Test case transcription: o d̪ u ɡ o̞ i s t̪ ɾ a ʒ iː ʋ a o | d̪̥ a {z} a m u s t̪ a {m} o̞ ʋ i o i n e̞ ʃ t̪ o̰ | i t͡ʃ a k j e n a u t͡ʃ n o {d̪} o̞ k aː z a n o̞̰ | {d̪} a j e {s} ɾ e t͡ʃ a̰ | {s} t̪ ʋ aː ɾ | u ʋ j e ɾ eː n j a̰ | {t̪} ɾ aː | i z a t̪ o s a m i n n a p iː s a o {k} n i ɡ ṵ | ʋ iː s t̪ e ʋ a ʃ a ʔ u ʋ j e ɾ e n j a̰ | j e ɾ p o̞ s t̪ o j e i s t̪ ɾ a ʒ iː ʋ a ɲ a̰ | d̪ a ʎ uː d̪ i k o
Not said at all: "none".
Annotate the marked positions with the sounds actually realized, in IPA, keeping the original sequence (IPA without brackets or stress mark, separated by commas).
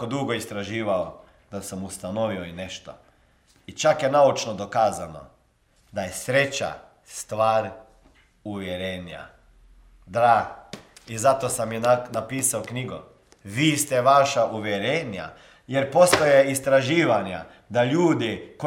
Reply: s, n, d̪, d̪, s, s, d̪, k